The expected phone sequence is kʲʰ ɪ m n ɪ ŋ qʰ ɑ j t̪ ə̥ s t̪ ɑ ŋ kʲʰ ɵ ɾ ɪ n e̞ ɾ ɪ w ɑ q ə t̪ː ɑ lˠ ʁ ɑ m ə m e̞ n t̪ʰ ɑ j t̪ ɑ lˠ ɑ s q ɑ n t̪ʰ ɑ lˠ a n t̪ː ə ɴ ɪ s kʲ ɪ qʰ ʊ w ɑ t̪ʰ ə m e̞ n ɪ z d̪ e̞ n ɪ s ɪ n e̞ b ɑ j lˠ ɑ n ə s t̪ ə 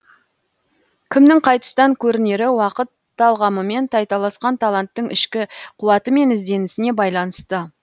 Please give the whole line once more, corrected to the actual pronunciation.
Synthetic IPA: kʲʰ ɪ m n ɪ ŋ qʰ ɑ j t̪ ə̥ s t̪ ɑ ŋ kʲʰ ɵ ɾ ɪ n e̞ ɾ ɪ w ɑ q ə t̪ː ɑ lˠ ʁ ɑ m ə m e̞ n t̪ʰ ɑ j t̪ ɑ lˠ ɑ s q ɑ n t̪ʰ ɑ lˠ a n t̪ː ə ɴ ɪ ʃ kʲ ɪ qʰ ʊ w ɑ t̪ ə m e̞ n ɪ z d̪ e̞ n ɪ s ɪ n e̞ b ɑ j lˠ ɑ n ə s t̪ ə